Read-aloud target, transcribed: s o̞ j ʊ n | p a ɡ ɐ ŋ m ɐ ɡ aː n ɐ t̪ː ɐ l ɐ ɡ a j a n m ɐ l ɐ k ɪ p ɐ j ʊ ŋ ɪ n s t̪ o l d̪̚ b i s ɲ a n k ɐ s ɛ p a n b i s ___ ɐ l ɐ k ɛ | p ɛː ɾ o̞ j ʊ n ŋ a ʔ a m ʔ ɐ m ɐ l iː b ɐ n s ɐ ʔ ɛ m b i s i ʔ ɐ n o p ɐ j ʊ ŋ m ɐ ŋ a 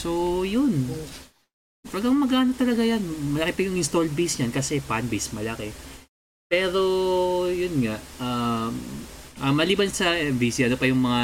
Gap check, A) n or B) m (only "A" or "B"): B